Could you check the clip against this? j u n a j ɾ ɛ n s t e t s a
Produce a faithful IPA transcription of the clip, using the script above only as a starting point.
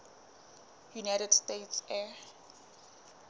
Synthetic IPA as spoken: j u n a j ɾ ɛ d s t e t s ɛ